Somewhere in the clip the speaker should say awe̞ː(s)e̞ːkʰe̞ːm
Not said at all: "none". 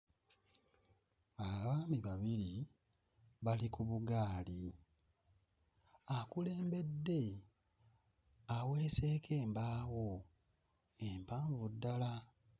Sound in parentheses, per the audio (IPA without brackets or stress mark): s